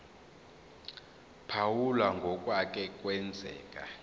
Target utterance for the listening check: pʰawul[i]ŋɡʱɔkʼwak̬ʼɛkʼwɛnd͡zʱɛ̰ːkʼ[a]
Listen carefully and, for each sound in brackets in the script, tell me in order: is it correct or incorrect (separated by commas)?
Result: incorrect, correct